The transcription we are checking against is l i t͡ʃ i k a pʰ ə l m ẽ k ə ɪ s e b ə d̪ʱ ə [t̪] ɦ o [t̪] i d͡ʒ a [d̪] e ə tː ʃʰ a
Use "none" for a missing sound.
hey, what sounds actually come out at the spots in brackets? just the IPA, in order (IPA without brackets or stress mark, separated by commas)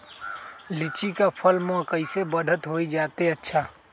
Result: t̪, none, t̪